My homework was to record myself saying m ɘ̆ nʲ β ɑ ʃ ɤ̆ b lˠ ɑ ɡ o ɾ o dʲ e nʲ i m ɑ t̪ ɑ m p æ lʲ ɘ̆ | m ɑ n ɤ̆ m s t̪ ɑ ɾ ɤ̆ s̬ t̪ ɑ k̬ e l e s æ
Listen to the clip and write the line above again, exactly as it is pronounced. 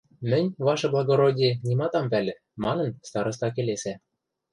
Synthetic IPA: m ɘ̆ nʲ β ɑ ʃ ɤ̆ b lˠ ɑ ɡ o ɾ o dʲ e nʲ i m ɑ t̪ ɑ m p æ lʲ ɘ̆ | m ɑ n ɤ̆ n s t̪ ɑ ɾ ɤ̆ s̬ t̪ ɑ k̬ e l e s æ